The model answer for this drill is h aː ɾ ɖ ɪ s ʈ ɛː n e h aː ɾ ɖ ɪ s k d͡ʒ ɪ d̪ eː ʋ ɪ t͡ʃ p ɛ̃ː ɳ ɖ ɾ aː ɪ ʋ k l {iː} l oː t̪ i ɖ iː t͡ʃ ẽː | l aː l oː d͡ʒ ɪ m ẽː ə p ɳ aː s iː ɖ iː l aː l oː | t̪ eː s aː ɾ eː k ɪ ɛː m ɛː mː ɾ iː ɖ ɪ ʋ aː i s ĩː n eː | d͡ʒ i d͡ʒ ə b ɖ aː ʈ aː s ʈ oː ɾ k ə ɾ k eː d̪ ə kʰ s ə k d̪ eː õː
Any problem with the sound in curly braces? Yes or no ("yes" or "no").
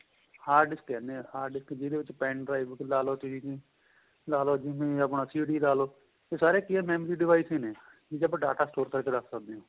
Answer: yes